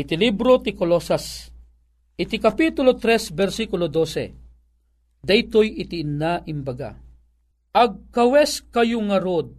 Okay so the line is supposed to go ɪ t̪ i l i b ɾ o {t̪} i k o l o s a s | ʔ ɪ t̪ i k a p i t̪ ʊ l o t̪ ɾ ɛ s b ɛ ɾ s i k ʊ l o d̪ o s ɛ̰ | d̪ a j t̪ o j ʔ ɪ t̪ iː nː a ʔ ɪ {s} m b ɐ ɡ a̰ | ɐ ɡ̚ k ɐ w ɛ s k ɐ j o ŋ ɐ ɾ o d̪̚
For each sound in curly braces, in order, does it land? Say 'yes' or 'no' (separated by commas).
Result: yes, no